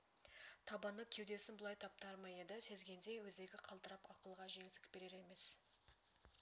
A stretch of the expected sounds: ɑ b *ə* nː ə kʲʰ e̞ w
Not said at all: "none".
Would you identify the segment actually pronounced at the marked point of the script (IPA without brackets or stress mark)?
ɑ